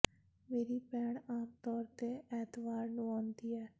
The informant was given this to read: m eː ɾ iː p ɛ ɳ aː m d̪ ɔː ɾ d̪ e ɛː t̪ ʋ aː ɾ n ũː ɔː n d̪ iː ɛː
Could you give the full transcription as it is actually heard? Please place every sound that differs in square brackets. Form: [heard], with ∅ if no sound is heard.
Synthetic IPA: m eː ɾ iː p [ɛː] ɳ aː m [t̪] ɔː ɾ [t̪] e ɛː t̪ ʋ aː ɾ n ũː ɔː n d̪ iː ɛː